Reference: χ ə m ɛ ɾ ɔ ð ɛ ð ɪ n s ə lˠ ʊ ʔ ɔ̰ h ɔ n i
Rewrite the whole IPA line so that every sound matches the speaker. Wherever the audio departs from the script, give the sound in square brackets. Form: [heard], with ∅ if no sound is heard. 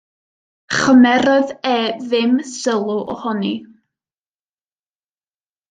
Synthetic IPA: χ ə m ɛ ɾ ɔ ð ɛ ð ɪ [m] s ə lˠ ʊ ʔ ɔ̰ h ɔ n i